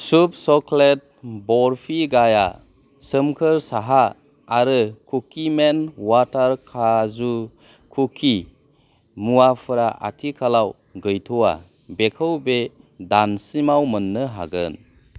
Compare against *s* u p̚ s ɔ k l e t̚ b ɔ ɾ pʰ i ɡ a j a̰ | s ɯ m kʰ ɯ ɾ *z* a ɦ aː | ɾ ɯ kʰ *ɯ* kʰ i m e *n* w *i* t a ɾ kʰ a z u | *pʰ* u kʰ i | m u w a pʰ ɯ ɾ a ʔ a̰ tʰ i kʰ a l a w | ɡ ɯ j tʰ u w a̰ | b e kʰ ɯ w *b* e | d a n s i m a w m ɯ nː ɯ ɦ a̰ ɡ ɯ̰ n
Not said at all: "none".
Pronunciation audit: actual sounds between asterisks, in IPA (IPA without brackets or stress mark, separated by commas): s, s, u, n, a, kʰ, b